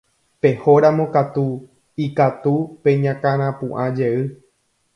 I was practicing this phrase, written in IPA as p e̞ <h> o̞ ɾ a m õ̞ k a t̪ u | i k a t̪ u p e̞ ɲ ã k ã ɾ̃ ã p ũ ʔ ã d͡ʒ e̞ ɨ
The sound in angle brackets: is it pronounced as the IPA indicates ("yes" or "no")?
yes